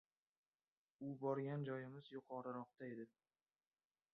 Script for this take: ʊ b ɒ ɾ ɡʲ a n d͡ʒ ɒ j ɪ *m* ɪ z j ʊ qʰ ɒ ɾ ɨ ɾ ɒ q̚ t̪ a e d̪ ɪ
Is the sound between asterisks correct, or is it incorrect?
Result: correct